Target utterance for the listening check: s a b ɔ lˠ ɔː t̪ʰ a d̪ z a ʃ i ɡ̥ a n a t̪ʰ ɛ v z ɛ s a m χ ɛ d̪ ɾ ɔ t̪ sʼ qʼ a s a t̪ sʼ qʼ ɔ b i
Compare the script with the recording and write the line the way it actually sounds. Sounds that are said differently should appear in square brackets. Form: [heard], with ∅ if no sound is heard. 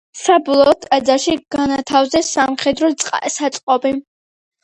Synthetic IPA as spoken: s a b ɔ lˠ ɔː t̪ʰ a d̪ z a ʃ i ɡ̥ a n a t̪ʰ [a] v z ɛ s a m χ ɛ d̪ ɾ ɔ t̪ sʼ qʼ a s a t̪ sʼ qʼ ɔ b i